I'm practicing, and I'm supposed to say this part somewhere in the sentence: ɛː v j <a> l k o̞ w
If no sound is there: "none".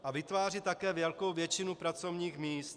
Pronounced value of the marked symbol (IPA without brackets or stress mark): ɛ